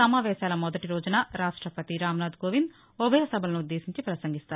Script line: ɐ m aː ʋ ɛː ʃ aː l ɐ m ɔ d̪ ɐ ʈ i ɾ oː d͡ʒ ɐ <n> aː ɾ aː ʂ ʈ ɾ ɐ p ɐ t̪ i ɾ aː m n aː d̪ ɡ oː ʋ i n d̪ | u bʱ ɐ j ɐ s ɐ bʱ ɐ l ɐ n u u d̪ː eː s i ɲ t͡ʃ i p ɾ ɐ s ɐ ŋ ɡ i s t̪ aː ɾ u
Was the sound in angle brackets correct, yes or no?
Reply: yes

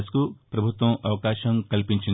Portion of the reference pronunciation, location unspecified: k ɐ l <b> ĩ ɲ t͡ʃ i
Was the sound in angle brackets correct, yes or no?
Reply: no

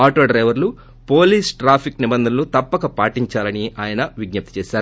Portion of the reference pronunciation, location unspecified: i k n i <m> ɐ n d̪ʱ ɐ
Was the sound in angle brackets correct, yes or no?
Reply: no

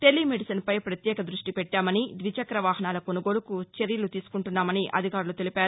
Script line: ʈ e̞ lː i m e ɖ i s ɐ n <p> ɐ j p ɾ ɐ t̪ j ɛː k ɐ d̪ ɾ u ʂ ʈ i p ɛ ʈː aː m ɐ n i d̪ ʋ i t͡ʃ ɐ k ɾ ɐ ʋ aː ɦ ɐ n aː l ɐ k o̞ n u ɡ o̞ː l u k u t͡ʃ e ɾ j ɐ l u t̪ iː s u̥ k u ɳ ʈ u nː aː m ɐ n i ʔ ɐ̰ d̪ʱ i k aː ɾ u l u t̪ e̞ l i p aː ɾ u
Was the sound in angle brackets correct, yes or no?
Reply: yes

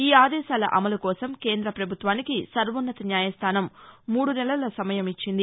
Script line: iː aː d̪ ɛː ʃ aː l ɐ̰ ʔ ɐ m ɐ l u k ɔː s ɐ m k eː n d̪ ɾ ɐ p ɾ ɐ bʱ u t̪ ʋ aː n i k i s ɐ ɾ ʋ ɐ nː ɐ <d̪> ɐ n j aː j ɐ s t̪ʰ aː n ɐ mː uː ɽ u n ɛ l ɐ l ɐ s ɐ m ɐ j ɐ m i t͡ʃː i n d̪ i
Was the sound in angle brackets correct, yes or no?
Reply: no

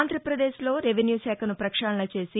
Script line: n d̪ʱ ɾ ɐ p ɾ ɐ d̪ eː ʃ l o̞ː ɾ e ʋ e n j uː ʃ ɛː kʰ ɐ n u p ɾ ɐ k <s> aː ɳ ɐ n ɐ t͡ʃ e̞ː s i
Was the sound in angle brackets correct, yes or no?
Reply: no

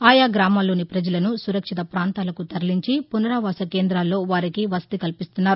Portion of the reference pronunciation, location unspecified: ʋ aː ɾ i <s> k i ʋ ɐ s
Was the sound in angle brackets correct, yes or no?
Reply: no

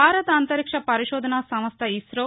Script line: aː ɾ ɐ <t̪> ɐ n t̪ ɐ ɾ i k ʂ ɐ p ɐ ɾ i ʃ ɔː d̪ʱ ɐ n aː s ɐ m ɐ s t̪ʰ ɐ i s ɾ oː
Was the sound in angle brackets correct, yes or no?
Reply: yes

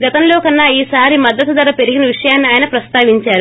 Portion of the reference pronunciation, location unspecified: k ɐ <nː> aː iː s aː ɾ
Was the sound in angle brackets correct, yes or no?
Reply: yes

